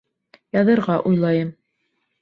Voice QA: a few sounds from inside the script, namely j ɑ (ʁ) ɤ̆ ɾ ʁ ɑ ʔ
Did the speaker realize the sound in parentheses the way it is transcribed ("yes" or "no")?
no